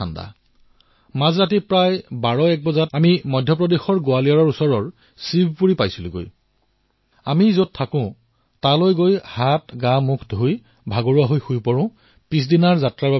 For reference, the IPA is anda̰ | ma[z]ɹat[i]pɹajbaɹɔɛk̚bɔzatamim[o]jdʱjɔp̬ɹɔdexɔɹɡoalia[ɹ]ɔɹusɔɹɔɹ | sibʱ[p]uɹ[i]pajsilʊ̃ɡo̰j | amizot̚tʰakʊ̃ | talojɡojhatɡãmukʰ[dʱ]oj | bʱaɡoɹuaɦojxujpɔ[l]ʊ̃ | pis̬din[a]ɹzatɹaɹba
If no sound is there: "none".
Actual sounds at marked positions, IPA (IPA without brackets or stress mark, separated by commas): z, i, ɔ, ɹ, p, i, dʱ, ɹ, a